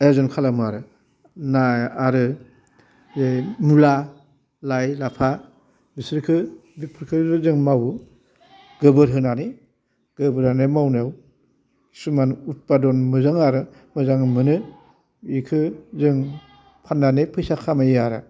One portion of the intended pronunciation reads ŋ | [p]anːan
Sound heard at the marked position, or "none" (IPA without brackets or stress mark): pʰ